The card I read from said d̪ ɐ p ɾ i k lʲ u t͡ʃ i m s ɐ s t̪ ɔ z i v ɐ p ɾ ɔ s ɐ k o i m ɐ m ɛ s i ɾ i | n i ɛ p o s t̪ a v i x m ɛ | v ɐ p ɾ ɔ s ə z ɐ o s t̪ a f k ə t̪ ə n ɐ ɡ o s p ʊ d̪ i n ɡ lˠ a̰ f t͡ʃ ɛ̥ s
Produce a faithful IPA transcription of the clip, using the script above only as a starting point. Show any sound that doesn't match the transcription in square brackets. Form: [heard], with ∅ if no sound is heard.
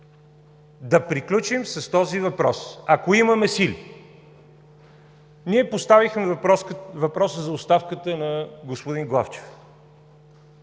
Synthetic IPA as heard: d̪ ɐ p ɾ i k lʲ u t͡ʃ i m s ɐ s t̪ ɔ z i v ɐ p ɾ ɔ s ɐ k o i m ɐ m ɛ s i [l] i | n i ɛ p o s t̪ a v i x m ɛ | v ɐ p ɾ ɔ s ə z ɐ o s t̪ a f k ə t̪ ə n ɐ ɡ o s p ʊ d̪ i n ɡ lˠ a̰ f t͡ʃ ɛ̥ [f]

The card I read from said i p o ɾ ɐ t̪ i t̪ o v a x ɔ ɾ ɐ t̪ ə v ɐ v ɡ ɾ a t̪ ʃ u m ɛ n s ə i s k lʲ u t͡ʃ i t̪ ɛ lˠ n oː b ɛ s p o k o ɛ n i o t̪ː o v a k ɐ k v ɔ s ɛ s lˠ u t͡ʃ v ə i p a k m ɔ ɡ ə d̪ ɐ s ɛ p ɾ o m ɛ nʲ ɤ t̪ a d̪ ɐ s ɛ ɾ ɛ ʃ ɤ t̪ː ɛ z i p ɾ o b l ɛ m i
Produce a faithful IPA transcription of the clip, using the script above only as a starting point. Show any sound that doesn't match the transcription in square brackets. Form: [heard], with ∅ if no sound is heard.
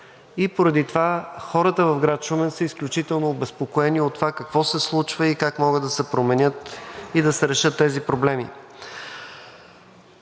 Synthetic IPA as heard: i p o ɾ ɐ [d̪] i t̪ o v a x ɔ ɾ [ə] t̪ ə v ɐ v ɡ ɾ a t̪ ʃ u m ɛ n s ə i s k lʲ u t͡ʃ i t̪ ɛ lˠ n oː b ɛ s p o k o ɛ n i o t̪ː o v a k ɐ k v ɔ s ɛ s lˠ u t͡ʃ v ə i [k] a k m ɔ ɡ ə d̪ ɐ s ɛ p ɾ o m ɛ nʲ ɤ t̪ [i] d̪ ɐ s ɛ ɾ ɛ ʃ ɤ t̪ː ɛ z i p ɾ o b l ɛ m i

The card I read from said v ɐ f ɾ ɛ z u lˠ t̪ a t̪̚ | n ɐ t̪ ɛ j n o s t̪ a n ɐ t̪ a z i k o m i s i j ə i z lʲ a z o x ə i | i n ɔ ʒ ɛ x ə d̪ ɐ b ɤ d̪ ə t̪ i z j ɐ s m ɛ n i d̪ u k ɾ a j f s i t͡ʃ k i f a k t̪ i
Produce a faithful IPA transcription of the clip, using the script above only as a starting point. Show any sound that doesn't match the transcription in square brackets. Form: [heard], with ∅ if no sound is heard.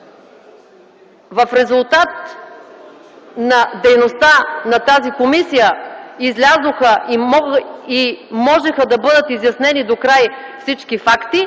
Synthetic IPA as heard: v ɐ f ɾ ɛ z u lˠ t̪ a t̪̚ | n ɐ [d̪] ɛ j n o s t̪ a n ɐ t̪ a z i k o m i s i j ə i z lʲ a z o x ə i | i [m] ɔ ʒ ɛ x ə d̪ ɐ b ɤ d̪ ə t̪ i z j ɐ s [n] ɛ n i d̪ [o] k ɾ a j f s i t͡ʃ k i f a k t̪ i

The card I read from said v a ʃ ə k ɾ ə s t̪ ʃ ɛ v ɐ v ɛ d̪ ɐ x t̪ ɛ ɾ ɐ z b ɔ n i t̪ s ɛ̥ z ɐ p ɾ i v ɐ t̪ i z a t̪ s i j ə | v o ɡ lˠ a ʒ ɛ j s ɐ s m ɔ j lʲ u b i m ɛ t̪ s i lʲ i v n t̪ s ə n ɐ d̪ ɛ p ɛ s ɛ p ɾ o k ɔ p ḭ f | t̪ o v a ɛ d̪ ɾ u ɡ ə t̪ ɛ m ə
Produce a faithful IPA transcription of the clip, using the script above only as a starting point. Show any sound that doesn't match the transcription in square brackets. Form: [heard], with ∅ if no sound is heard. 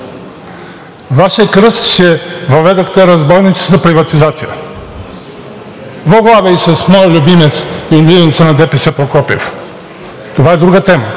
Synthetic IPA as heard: v a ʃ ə k ɾ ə s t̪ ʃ ɛ v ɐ v ɛ d̪ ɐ x t̪ ɛ ɾ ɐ z b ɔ n i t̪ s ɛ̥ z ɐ p ɾ i v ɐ t̪ i z a t̪ s i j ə | v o ɡ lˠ a [v] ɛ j s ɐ s m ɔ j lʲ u b i m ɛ t̪ s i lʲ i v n t̪ s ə n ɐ d̪ ɛ p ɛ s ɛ p ɾ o k ɔ p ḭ f | t̪ o v a ɛ d̪ ɾ u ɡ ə t̪ ɛ m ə

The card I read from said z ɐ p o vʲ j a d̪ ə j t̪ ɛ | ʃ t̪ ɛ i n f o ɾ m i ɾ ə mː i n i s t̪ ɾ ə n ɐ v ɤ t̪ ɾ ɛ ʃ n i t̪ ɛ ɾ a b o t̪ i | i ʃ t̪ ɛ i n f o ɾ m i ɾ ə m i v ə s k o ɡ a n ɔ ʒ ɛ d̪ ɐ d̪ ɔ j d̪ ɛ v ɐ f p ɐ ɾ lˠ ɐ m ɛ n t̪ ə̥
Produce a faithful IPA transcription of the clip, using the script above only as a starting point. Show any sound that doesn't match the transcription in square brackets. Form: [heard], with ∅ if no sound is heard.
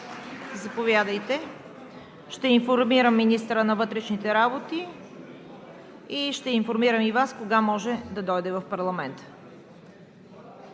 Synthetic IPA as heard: z ɐ p o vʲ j a d̪ ə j t̪ ɛ | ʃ t̪ ɛ i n f o ɾ m i ɾ ə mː i n i s t̪ ɾ ə n ɐ v ɤ t̪ ɾ ɛ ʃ n i t̪ ɛ ɾ a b o t̪ i | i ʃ t̪ ɛ i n f o ɾ m i ɾ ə m i v [a] s k o ɡ a [m] ɔ ʒ ɛ d̪ ɐ d̪ ɔ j d̪ ɛ v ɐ f p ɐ ɾ lˠ ɐ m ɛ n t̪ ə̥

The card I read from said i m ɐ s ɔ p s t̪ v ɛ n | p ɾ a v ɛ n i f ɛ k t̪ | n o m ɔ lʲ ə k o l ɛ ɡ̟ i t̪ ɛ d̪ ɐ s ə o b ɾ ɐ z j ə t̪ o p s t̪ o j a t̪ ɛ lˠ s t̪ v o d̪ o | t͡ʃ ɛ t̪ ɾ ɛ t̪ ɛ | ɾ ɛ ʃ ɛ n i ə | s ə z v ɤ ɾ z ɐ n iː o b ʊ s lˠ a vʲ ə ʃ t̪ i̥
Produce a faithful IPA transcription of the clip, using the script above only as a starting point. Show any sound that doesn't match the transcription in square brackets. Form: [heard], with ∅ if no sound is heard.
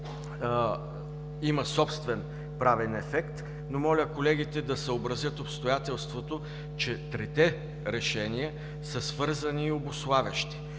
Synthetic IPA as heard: i m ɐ s ɔ p s t̪ v ɛ n | p ɾ a v ɛ n [ɛ] f ɛ k t̪ | n o m ɔ lʲ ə k o l ɛ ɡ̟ i t̪ ɛ d̪ ɐ s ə o b ɾ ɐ z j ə t̪ o p s t̪ o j a t̪ ɛ lˠ s t̪ v o [t̪] o | t͡ʃ ɛ t̪ ɾ ɛ t̪ ɛ | ɾ ɛ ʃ ɛ n i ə | s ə [s] v ɤ ɾ z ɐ n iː o b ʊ s lˠ a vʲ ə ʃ t̪ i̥

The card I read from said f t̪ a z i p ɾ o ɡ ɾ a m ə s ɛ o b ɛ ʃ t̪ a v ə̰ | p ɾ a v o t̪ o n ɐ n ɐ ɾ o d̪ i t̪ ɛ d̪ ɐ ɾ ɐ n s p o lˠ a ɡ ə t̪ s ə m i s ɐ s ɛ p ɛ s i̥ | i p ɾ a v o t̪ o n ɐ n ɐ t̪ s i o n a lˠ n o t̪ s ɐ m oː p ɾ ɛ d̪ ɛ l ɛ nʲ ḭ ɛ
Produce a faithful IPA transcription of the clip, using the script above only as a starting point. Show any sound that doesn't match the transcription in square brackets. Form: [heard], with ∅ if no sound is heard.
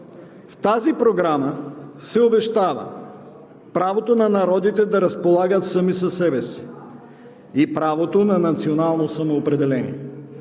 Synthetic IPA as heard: f t̪ a z i p ɾ o ɡ ɾ a m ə s ɛ o b ɛ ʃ t̪ a v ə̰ | p ɾ a v o t̪ o n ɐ n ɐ ɾ [ɔ] d̪ i t̪ ɛ d̪ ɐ ɾ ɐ [∅] s p o lˠ a ɡ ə t̪ s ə m i s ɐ s ɛ [b] ɛ s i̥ | i p ɾ a v o t̪ o n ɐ n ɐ t̪ s i o n a lˠ n o [∅] s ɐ m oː p ɾ ɛ d̪ ɛ l ɛ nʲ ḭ ɛ

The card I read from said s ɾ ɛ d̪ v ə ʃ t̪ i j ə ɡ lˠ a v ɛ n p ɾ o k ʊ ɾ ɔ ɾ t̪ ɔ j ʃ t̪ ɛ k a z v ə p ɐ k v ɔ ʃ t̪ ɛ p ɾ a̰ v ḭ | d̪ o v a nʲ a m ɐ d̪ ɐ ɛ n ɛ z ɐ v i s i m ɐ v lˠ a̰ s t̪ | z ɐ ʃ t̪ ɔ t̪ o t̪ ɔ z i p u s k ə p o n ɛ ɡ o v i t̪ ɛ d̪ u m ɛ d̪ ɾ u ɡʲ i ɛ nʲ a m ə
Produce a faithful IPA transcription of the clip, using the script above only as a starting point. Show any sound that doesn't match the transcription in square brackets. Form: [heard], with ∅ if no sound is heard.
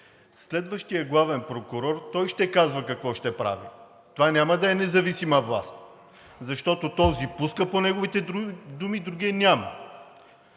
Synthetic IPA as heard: s [l] ɛ d̪ v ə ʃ t̪ i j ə ɡ lˠ a v ɛ n p ɾ o k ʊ ɾ ɔ ɾ t̪ ɔ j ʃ t̪ ɛ k a z v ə [k] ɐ k v ɔ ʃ t̪ ɛ p ɾ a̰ v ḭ | [t̪] o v a nʲ a m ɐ d̪ ɐ ɛ n ɛ z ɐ v i s i m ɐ v lˠ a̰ s t̪ | z ɐ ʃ t̪ ɔ t̪ o t̪ ɔ z i p u s k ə p o n ɛ ɡ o v i t̪ ɛ d̪ u m [i] d̪ ɾ u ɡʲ i ɛ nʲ a m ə

